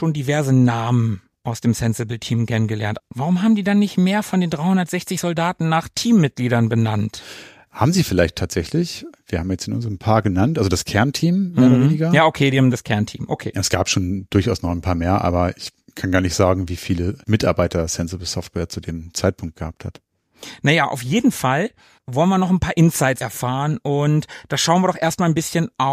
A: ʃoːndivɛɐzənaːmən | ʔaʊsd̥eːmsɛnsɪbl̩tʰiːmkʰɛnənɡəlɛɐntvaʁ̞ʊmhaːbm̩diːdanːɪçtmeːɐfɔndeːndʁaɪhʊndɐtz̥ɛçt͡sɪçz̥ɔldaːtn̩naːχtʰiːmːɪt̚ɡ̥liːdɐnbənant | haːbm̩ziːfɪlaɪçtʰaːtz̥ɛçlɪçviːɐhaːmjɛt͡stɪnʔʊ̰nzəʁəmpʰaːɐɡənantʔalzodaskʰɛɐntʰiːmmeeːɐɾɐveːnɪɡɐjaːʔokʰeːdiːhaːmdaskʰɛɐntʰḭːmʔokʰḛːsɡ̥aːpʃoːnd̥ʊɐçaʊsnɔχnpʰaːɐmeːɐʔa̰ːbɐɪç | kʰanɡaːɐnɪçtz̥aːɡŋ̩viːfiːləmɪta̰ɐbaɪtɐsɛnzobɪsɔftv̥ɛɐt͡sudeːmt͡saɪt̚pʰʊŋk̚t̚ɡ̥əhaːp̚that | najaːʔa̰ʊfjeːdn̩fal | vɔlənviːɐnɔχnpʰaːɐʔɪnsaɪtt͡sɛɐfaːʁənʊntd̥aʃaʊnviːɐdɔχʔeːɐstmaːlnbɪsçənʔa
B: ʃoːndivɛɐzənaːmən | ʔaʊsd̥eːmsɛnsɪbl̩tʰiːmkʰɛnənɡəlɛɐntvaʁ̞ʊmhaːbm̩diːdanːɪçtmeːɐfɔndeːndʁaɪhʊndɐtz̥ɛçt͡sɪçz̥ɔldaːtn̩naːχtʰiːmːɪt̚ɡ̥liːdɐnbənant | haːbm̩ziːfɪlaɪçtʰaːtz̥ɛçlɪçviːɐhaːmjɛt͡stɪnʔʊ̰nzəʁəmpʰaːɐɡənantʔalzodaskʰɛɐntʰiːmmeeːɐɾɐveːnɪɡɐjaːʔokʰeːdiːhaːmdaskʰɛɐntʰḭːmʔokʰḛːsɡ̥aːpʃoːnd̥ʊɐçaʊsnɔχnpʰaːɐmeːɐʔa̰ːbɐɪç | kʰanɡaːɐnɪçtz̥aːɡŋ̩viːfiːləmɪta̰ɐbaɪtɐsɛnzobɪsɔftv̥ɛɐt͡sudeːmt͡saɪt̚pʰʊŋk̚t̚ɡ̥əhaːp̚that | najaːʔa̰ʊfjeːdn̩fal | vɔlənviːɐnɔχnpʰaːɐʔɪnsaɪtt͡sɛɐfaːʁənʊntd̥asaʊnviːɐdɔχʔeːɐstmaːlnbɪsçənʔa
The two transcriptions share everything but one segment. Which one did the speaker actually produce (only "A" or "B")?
A